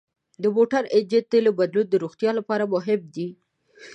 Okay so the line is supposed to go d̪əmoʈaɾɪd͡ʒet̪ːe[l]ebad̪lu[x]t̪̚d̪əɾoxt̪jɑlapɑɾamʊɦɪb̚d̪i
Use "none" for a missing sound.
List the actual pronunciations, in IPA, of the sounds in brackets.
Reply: l, none

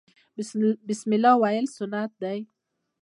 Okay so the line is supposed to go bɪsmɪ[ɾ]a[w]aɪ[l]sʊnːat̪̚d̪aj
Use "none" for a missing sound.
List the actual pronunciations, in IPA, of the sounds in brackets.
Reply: l, w, l

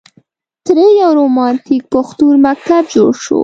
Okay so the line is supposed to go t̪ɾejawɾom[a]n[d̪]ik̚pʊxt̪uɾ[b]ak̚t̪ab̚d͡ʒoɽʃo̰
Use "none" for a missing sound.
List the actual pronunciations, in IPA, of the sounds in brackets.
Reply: ɑ, t̪, m

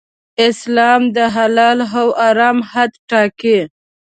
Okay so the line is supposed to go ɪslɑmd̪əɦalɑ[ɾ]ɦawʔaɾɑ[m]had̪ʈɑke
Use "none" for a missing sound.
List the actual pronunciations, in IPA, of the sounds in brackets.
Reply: l, m

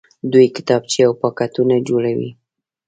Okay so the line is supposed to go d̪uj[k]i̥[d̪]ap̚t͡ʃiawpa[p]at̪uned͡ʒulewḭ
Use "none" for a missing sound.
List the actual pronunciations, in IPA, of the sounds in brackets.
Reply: k, t̪, k

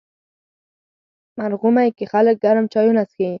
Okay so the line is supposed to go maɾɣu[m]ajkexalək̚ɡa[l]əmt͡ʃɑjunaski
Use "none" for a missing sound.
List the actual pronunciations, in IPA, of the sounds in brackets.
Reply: m, ɾ

